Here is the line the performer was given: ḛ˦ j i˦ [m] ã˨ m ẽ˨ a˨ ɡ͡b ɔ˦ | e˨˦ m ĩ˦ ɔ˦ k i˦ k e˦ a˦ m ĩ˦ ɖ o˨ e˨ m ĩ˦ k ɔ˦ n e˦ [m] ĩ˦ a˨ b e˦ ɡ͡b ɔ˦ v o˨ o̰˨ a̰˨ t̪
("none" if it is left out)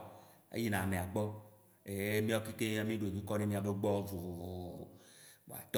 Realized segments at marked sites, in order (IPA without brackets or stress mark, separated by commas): n, m